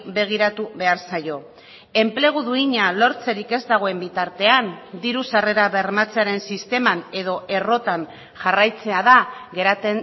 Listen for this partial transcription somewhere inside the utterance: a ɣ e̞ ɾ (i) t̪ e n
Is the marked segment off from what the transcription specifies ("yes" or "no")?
yes